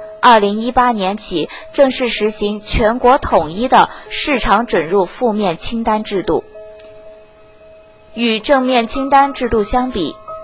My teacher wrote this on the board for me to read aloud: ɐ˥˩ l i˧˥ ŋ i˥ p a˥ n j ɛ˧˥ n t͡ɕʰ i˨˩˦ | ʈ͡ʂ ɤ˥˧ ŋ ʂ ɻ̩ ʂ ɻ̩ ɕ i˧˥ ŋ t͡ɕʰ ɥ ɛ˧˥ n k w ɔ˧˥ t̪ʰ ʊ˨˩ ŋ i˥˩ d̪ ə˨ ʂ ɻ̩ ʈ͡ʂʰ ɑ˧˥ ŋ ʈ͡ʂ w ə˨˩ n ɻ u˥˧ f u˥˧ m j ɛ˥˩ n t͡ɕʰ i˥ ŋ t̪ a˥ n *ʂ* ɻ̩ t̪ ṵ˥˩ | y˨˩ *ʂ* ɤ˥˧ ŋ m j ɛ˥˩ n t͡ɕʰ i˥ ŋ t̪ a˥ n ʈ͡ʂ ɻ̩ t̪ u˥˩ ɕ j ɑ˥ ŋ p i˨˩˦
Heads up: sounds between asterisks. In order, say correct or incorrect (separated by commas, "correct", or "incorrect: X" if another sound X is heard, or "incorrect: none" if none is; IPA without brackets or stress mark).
incorrect: ʈ͡ʂ, incorrect: ʈ͡ʂ